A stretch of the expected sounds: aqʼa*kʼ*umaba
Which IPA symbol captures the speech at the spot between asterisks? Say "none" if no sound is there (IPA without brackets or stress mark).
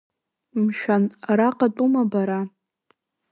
tʼ